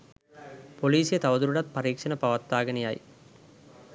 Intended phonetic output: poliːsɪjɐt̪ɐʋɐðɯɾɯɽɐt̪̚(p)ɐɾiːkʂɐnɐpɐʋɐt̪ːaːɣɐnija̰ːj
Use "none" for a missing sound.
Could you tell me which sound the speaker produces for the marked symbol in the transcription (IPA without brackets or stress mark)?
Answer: p